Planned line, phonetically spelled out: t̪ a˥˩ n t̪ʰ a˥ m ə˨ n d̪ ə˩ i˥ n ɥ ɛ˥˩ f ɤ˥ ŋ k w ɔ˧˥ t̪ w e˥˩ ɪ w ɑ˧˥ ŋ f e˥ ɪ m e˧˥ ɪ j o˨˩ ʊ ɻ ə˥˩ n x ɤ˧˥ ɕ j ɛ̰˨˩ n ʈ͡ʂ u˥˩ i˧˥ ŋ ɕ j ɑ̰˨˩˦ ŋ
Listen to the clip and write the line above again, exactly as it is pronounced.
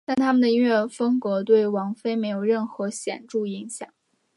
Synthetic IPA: t̪ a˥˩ n t̪ʰ a˥ m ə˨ n d̪ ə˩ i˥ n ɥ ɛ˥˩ f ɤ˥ ŋ k w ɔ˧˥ t̪ w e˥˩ ɪ w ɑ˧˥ ŋ f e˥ ɪ m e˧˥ ɪ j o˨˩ ʊ ɻ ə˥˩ n x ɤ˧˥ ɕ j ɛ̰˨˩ n ʈ͡ʂ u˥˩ i˧˥ ŋ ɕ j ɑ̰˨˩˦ ŋ